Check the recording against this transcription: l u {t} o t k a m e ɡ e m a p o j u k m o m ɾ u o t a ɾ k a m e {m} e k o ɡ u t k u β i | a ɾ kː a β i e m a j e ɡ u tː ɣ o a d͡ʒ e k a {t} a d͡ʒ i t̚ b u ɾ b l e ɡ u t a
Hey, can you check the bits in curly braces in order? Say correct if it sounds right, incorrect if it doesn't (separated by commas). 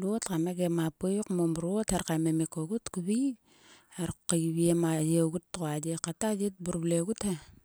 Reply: incorrect, correct, correct